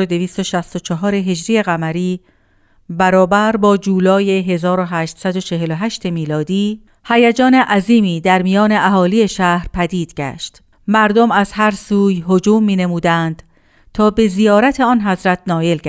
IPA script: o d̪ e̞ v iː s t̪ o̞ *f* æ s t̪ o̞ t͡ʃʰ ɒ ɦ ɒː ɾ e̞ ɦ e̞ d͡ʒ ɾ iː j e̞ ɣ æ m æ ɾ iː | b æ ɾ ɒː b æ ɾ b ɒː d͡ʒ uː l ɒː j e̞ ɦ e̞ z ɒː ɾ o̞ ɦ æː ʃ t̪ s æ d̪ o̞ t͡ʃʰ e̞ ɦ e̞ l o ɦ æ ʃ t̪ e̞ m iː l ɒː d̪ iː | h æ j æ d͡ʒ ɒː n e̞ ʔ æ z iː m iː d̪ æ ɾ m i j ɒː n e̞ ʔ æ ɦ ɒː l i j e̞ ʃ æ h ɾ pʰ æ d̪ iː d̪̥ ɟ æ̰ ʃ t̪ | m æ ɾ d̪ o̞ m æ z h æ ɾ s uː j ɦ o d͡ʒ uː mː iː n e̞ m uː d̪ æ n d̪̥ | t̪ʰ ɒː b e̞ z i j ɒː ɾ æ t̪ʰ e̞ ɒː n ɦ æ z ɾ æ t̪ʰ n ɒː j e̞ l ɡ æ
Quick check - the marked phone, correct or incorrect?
incorrect